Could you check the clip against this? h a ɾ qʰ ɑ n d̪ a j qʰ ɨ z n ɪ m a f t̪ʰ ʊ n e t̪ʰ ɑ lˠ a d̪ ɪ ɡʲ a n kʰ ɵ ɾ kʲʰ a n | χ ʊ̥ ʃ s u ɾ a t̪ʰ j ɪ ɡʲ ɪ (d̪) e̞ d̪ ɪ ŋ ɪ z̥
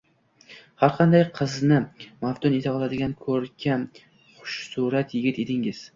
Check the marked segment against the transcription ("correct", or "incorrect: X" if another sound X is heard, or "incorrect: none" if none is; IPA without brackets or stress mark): incorrect: t̪